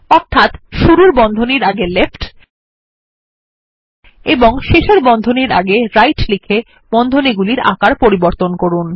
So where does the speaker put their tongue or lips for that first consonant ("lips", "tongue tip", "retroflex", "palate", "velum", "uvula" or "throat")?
tongue tip